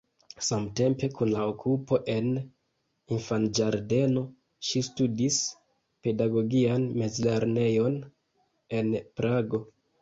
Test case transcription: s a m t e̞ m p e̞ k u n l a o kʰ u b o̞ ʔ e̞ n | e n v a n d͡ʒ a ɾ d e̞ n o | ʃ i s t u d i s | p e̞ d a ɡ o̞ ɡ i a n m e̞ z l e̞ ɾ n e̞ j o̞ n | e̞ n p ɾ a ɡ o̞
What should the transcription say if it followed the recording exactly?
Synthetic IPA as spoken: s a m t e̞ m p e̞ k u n l a o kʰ u p o̞ ʔ e̞ n | i n f a n d͡ʒ a ɾ d e̞ n o | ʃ i s t u d i s | p e̞ d a ɡ o̞ ɡ i a n m e̞ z l e̞ ɾ n e̞ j o̞ n | e̞ n p ɾ a ɡ o̞